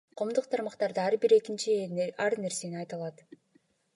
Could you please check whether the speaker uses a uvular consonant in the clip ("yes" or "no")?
yes